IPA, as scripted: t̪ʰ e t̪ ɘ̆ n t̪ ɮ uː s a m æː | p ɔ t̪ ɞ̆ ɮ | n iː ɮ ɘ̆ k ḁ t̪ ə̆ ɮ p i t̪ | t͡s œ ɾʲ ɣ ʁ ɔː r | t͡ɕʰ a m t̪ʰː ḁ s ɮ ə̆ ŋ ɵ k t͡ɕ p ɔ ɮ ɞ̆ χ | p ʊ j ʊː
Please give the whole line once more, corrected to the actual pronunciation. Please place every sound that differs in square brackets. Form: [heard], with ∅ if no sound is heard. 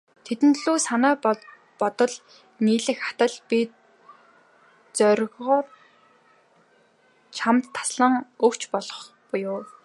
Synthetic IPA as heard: t̪ʰ e t̪ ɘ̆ n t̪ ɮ uː s a [n] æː | p ɔ t̪ ɞ̆ ɮ | n iː ɮ ɘ̆ [x] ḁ t̪ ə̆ ɮ p i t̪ | t͡s œ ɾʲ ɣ ʁ ɔː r | t͡ɕʰ a m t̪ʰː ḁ s ɮ ə̆ ŋ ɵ k t͡ɕ p ɔ ɮ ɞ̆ χ | p ʊ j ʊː